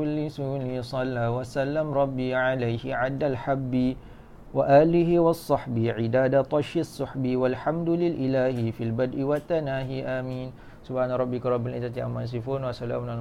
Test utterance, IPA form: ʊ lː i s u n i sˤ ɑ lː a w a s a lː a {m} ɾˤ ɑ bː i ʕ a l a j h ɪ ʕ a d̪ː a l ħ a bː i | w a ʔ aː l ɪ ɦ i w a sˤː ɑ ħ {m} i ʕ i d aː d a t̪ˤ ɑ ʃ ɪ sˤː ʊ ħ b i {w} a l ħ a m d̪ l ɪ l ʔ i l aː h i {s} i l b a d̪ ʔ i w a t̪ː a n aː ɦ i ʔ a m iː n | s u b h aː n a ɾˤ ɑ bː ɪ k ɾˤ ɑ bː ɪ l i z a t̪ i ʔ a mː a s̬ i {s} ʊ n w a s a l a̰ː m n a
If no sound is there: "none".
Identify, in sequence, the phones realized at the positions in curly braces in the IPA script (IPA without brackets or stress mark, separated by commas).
m, b, w, f, f